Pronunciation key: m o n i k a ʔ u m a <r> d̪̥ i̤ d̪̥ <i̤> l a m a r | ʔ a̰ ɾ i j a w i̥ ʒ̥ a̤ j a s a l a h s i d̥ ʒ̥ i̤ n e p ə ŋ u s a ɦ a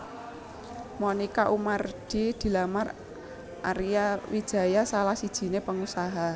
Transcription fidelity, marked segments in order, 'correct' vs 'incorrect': correct, correct

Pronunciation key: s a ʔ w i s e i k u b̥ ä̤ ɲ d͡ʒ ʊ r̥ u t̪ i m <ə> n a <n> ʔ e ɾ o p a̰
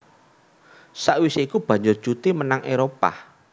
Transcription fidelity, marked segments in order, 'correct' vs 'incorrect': correct, incorrect

